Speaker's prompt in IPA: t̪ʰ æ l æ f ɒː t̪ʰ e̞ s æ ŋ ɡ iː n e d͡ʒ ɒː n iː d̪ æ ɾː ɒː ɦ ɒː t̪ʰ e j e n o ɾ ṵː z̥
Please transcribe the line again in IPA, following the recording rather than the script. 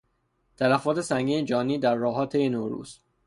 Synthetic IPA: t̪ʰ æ l æ f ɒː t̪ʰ e̞ s æ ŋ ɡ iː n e d͡ʒ ɒː n iː d̪ æ ɾː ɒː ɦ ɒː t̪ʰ e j e n o ɾ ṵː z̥